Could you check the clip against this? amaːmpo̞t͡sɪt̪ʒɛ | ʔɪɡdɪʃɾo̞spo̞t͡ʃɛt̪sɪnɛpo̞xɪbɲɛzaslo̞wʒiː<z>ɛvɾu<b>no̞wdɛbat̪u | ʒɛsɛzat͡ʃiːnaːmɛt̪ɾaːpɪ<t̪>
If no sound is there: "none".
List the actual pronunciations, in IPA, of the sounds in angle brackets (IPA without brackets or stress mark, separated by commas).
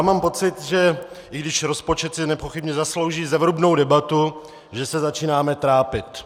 z, b, t̪